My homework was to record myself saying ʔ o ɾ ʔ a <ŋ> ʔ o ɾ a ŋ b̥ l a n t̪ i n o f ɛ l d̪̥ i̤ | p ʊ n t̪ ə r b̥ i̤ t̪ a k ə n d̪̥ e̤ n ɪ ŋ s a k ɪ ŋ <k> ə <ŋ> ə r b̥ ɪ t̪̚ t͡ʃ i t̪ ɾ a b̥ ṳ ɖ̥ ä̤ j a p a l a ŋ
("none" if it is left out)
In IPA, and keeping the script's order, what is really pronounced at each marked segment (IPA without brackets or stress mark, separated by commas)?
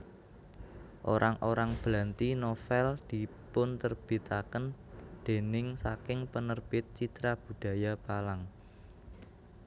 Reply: ŋ, p, n